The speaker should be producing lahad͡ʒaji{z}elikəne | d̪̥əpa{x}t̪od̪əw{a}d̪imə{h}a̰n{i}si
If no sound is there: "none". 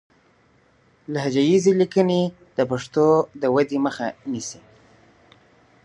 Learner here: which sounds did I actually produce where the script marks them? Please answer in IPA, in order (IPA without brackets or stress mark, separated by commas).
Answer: z, ʂ, a, x, i